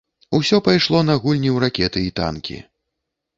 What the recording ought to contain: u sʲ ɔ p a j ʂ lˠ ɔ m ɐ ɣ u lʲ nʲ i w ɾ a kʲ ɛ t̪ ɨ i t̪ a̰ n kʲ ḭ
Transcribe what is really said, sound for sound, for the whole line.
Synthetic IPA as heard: u sʲ ɔ p a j ʂ lˠ ɔ n ɐ ɣ u lʲ nʲ i w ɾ a kʲ ɛ t̪ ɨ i t̪ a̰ n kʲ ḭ